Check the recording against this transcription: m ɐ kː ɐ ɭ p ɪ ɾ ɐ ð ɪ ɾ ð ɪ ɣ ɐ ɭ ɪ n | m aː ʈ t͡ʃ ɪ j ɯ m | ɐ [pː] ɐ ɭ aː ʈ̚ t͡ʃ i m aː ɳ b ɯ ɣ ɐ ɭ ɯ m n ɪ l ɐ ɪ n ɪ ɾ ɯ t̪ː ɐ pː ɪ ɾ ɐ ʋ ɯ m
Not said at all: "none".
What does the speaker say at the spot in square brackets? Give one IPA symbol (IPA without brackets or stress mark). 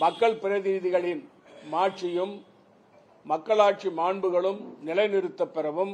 kː